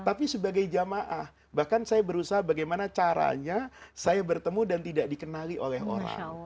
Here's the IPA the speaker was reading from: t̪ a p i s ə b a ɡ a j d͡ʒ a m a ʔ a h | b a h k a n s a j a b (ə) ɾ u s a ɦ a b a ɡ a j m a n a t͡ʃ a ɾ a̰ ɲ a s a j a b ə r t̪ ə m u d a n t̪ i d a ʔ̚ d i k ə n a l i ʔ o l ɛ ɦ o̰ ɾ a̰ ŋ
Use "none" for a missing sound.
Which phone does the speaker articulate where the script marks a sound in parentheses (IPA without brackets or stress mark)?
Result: ə